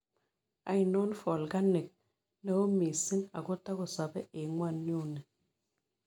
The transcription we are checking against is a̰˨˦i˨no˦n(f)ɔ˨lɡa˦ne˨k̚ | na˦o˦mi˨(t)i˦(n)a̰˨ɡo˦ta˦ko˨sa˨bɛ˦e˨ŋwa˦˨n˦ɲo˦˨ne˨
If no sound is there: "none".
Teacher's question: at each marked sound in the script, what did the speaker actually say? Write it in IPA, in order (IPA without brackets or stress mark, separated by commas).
f, s, n